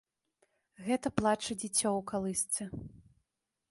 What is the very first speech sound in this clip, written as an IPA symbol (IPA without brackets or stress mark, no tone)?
ɣ